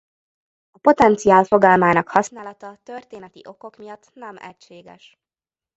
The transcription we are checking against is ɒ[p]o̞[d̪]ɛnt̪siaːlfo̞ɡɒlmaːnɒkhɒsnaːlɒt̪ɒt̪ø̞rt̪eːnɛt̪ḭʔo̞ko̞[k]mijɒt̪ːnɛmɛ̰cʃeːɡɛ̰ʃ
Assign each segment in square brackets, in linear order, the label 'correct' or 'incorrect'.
correct, incorrect, correct

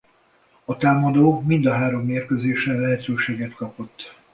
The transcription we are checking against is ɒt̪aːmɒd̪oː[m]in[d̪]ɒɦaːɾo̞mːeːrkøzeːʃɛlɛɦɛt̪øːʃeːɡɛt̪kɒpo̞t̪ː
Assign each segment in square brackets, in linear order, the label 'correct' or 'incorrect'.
correct, correct

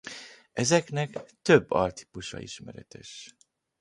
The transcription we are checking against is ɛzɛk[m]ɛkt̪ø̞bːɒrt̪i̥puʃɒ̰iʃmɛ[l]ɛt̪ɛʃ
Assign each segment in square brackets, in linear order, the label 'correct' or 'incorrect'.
incorrect, incorrect

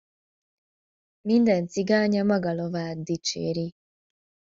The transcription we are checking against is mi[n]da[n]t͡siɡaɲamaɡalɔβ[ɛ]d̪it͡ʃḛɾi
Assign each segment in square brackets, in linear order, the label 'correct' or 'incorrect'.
correct, correct, incorrect

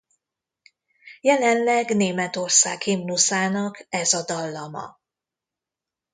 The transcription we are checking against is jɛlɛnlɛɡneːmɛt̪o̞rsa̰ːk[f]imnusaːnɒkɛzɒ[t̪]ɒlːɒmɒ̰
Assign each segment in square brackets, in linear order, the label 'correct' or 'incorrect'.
incorrect, incorrect

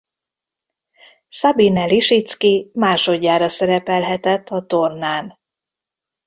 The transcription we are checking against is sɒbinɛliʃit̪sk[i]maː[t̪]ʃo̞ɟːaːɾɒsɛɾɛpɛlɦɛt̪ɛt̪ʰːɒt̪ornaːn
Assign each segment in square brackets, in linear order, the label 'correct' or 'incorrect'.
correct, incorrect

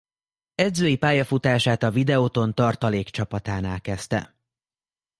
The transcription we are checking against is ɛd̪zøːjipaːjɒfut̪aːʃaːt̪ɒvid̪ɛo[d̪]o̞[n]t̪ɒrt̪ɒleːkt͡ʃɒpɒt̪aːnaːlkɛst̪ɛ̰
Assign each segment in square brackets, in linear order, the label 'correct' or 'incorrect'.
incorrect, correct

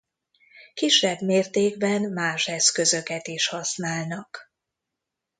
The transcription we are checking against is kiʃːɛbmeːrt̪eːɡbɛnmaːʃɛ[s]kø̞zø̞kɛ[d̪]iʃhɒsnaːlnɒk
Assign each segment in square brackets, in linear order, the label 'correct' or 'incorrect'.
correct, incorrect

